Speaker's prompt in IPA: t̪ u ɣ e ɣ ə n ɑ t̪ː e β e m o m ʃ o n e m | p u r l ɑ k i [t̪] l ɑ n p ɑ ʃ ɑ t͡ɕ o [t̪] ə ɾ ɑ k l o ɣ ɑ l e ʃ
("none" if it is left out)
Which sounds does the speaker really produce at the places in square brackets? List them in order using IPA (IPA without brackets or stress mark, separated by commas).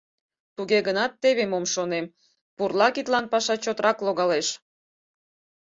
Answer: t̪, t̪